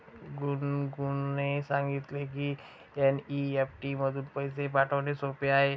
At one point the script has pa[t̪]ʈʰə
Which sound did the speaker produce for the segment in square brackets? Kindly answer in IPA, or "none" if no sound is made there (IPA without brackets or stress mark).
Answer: none